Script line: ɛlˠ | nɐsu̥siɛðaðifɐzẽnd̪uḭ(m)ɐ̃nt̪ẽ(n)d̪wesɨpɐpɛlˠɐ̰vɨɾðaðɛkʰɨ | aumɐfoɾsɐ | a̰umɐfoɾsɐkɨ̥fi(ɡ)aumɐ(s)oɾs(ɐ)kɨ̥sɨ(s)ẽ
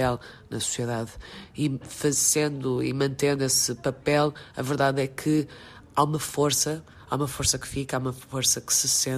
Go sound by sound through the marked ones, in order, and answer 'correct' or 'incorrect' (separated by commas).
correct, correct, incorrect, incorrect, correct, correct